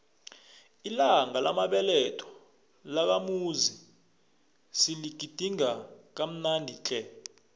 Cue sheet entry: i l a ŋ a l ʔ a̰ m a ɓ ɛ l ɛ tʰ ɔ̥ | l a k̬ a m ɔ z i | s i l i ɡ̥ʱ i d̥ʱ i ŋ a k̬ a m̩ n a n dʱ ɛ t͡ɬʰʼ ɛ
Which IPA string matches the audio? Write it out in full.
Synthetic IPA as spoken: i l a ŋ a l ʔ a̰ m a ɓ ɛ l ɛ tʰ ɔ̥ | l a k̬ a m u z i | s i l i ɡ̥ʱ i d̥ʱ i ŋ a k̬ a m̩ n a n dʱ i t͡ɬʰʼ ɛ